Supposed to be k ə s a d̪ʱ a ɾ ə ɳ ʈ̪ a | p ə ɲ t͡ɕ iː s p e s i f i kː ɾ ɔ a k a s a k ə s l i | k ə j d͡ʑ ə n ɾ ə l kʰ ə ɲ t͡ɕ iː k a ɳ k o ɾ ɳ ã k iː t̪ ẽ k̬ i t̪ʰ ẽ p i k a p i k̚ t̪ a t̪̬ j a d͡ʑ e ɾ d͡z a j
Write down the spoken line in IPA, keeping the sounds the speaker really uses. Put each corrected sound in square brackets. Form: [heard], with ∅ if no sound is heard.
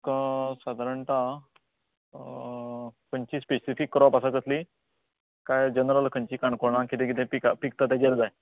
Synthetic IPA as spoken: k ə s a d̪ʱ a ɾ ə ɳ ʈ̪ a | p ə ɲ t͡ɕ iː s p e s i f i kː ɾ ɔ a [p] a s a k ə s l i | k [a] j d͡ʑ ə n ɾ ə l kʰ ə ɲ t͡ɕ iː k a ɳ k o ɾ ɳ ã k [i] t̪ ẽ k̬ i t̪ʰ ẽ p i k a p i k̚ t̪ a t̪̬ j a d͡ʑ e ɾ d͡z a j

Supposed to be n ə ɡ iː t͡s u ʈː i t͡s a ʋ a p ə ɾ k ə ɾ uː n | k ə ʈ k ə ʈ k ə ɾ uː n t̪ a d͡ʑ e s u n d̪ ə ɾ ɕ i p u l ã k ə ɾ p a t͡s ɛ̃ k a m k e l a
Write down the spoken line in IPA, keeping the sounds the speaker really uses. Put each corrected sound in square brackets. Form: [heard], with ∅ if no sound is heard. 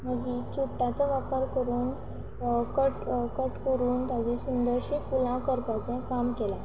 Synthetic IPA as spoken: [m] ə ɡ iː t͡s u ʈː [a] t͡s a ʋ a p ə ɾ k ə ɾ uː n | k ə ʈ k ə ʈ k ə ɾ uː n t̪ a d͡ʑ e s u n d̪ ə ɾ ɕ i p u l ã k ə ɾ p a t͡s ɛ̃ k a m k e l a

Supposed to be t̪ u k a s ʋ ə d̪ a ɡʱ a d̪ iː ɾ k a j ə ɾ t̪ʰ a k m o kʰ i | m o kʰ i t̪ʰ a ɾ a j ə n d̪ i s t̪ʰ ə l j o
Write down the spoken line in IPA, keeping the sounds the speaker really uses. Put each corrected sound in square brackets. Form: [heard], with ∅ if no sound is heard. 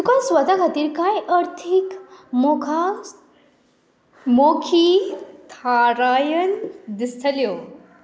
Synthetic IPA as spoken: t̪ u k a s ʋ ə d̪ a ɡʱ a [t̪] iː ɾ k a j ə ɾ t̪ʰ [i] k m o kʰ [a] | m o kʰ i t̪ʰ a ɾ a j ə n d̪ i s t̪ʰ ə l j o

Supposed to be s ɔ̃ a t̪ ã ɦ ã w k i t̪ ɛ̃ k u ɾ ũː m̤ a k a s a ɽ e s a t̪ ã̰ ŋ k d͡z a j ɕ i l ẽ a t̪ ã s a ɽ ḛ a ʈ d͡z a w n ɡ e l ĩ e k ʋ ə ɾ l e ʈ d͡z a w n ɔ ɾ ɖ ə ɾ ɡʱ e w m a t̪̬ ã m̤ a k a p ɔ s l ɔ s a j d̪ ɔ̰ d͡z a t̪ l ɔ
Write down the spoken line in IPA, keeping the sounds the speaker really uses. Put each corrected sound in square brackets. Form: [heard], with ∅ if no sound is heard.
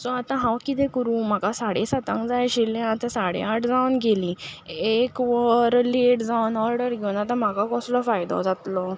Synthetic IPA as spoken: s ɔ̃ a t̪ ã ɦ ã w k i t̪ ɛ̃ k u ɾ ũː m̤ a k a s a ɽ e s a t̪ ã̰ ŋ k d͡z a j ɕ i l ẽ a t̪ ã s a ɽ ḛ a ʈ d͡z a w n ɡ e l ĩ e k ʋ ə ɾ l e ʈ d͡z a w n ɔ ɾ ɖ ə ɾ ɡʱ e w [n] a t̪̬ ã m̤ a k a [k] ɔ s l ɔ [f] a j d̪ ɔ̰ d͡z a t̪ l ɔ

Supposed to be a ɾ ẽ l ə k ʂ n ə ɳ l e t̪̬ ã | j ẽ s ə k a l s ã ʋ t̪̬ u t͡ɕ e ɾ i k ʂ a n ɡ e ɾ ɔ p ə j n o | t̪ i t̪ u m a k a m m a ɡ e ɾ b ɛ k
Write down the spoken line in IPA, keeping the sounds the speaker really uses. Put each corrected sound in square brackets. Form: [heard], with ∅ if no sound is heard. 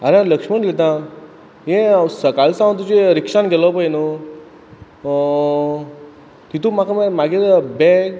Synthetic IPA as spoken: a ɾ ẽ l ə k ʂ [m] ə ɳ l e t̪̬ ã | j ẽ s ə k a l s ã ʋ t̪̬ u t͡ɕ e ɾ i k ʂ a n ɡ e [l] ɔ p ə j n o | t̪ i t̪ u m a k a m m a ɡ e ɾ b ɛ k

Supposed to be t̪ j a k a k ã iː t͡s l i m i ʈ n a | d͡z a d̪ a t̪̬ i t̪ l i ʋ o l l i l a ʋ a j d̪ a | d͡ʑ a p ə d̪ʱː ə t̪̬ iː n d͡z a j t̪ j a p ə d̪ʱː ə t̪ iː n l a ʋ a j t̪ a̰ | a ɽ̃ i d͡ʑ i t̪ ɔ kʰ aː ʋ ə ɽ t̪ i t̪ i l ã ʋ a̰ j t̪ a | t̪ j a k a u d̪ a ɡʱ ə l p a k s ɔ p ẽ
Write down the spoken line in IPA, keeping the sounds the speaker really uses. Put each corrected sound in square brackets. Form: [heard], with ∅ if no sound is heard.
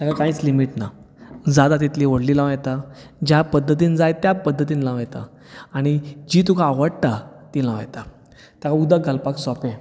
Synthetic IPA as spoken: t̪ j a k a k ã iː t͡s l i m i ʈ n a | d͡z a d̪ a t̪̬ i t̪ l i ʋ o [ɽ] l i l a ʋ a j [t̪] a | d͡ʑ a p ə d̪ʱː ə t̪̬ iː n d͡z a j t̪ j a p ə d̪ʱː ə t̪ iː n l a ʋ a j t̪ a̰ | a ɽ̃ i d͡ʑ i t̪ [u] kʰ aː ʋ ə ɽ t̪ [a] t̪ i l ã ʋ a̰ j t̪ a | t̪ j a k a u d̪ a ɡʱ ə l p a k s ɔ p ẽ

